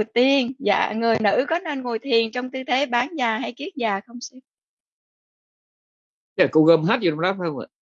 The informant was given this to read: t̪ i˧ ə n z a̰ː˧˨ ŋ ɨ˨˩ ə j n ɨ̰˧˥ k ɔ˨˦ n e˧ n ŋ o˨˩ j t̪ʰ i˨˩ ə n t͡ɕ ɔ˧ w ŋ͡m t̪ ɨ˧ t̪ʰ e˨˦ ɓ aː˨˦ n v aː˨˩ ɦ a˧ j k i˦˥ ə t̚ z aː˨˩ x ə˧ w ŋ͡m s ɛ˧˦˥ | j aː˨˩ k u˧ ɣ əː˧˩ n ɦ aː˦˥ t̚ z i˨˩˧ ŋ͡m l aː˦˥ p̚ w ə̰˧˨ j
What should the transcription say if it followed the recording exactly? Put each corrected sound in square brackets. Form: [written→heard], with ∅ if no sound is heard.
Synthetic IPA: t̪ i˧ ə n z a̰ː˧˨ ŋ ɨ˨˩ ə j n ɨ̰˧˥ k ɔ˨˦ n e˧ n ŋ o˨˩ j t̪ʰ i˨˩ ə n t͡ɕ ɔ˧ w ŋ͡m t̪ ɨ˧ t̪ʰ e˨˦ ɓ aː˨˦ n [v→z] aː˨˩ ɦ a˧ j k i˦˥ ə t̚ z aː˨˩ x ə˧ w ŋ͡m s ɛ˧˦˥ | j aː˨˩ k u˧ ɣ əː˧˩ [n→m] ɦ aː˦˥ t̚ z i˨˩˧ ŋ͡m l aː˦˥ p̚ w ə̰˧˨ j

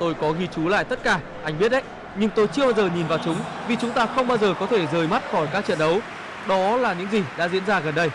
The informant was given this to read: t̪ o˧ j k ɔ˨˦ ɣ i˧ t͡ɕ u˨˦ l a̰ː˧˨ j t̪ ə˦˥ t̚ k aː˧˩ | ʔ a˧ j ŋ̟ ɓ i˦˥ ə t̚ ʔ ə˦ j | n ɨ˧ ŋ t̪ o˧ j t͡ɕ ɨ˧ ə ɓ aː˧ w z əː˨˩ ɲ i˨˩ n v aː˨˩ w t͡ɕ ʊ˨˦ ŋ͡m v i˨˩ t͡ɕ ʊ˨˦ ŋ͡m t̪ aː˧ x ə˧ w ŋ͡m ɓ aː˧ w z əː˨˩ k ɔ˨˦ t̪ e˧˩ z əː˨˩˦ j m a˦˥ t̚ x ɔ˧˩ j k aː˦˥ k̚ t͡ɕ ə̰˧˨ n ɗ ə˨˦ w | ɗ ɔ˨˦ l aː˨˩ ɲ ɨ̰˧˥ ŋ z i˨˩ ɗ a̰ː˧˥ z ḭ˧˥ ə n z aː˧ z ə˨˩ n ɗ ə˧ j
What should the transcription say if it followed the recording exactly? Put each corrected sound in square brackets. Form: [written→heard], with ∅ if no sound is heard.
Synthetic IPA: t̪ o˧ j k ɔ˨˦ ɣ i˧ t͡ɕ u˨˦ l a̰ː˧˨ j t̪ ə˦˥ t̚ k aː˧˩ | ʔ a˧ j ŋ̟ ɓ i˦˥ ə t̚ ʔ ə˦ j | [n→ɲ] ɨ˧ ŋ t̪ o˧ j t͡ɕ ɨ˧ ə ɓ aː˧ w z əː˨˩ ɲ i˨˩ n v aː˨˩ w t͡ɕ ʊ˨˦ ŋ͡m v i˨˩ t͡ɕ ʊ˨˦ ŋ͡m t̪ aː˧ x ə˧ w ŋ͡m ɓ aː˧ w z əː˨˩ k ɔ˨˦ [t̪→t̪ʰ] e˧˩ z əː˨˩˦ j m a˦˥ t̚ x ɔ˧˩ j k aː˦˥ k̚ t͡ɕ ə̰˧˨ n ɗ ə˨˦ w | ɗ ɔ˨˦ l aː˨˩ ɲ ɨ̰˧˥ ŋ z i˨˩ ɗ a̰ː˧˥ z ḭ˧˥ ə n z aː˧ [z→ɣ] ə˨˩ n ɗ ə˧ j

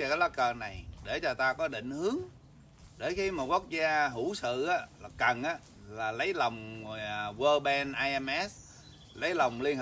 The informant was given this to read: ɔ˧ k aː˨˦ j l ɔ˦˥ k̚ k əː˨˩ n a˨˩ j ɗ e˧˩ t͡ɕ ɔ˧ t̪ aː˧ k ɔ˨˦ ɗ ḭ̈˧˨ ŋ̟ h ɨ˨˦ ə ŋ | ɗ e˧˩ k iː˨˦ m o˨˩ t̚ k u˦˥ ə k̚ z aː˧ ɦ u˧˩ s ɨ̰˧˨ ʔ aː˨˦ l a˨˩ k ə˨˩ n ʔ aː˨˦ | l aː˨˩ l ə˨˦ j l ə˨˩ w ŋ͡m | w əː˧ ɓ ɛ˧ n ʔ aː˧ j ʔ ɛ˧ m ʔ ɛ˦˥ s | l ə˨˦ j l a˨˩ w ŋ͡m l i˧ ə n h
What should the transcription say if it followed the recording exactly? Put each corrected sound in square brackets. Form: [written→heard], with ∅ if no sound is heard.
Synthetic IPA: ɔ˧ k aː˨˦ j l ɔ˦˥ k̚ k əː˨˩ n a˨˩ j ɗ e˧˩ t͡ɕ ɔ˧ t̪ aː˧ k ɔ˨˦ ɗ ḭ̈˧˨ ŋ̟ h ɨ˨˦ ə ŋ | ɗ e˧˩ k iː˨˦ m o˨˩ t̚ k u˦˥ ə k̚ z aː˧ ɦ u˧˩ s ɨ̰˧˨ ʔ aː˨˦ l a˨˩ k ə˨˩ n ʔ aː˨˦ | l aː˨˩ l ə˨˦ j l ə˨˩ w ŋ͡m | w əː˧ ɓ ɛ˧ n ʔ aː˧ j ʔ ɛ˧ m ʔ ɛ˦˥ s | l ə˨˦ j l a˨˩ w ŋ͡m l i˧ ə n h

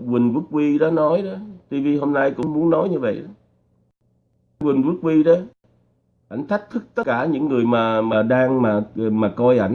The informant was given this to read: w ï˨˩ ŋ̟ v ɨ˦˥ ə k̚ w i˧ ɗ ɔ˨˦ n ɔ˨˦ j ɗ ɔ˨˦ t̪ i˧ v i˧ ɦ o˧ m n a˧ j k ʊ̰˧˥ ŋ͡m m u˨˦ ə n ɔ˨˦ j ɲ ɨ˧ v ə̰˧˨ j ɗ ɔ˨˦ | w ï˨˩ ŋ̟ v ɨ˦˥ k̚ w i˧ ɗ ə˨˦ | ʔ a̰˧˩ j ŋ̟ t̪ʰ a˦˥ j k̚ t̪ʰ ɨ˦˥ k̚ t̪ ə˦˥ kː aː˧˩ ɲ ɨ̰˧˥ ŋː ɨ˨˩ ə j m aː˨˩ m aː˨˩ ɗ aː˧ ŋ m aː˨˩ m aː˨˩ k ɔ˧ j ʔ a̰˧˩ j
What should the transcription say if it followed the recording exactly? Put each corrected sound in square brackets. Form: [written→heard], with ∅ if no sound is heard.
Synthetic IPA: w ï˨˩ ŋ̟ v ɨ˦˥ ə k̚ w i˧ ɗ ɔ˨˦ n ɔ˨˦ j ɗ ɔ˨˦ t̪ i˧ v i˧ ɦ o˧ m n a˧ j k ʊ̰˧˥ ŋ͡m m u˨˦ ə n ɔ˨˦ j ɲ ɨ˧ v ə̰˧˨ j ɗ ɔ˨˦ | w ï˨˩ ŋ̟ v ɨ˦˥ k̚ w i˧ ɗ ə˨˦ | ʔ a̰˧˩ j ŋ̟ t̪ʰ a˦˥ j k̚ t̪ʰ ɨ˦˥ k̚ t̪ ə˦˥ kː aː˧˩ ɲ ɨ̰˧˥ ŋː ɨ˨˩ ə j m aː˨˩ m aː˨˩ ɗ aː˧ ŋ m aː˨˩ m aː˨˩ k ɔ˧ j ʔ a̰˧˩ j

